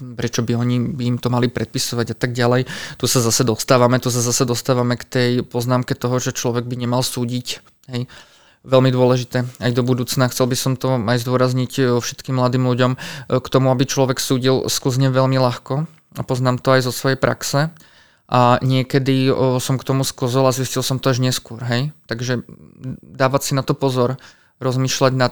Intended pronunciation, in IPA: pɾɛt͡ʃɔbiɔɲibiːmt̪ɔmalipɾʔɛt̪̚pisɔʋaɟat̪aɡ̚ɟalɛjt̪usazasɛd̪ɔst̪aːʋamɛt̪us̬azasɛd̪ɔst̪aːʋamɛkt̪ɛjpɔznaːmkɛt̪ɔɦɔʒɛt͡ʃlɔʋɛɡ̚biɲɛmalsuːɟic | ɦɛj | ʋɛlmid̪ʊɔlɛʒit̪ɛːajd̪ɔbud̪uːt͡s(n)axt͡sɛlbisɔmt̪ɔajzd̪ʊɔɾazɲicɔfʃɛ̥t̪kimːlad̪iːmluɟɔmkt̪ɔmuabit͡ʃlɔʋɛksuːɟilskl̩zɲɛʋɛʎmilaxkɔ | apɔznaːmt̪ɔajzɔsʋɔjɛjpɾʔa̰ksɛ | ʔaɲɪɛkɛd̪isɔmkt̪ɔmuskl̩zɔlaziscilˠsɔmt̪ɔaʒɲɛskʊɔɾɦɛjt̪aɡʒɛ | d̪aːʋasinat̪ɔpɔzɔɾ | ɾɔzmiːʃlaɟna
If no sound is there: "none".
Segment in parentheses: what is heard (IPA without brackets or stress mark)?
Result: n